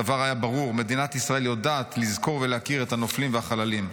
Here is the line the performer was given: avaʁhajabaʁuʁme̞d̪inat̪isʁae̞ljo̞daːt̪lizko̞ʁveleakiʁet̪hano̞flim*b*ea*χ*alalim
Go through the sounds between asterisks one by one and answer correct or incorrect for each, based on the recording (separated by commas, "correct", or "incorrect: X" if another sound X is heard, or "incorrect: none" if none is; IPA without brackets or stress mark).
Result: incorrect: v, correct